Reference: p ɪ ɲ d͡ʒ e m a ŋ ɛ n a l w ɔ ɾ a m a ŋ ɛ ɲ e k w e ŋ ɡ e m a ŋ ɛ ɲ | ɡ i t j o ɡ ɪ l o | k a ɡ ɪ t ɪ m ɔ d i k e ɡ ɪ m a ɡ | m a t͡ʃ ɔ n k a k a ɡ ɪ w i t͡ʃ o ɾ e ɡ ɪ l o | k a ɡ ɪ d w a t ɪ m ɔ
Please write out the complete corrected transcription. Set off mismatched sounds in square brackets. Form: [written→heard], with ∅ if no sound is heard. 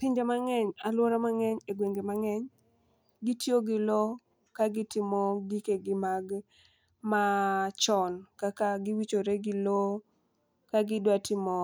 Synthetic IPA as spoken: p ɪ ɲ d͡ʒ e m a ŋ ɛ [n→ɲ] a l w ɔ ɾ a m a ŋ ɛ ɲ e [k→ɡ] w e ŋ ɡ e m a ŋ ɛ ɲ | ɡ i t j o ɡ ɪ l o | k a ɡ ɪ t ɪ m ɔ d i k e ɡ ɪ m a ɡ | m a t͡ʃ ɔ n k a k a ɡ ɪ w i t͡ʃ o ɾ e ɡ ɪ l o | k a ɡ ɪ d w a t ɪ m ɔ